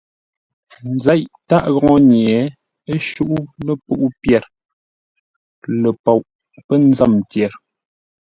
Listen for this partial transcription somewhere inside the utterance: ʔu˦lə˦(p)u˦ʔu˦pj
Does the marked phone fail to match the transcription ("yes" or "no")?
no